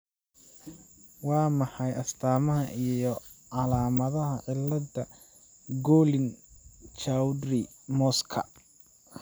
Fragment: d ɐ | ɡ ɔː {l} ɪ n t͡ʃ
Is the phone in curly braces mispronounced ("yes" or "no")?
no